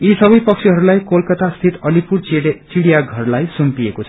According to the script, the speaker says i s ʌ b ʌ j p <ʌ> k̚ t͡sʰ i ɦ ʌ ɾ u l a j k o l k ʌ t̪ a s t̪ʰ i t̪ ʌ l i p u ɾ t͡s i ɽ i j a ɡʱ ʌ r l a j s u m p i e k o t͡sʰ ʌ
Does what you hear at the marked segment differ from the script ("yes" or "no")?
no